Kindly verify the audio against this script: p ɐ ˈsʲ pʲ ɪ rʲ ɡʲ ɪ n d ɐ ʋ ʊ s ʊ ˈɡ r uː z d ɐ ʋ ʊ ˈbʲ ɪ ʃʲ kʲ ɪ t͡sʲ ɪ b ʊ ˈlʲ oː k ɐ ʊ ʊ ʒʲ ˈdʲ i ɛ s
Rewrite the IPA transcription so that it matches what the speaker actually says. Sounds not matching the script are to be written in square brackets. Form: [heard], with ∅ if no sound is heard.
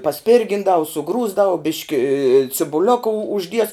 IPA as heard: p ɐ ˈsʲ pʲ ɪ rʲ ɡʲ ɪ n d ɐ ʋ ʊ s ʊ ˈɡ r uː z d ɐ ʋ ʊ ˈbʲ ɪ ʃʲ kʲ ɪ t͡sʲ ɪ b ʊ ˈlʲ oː k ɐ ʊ ʊ ʒʲ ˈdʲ i ɛ s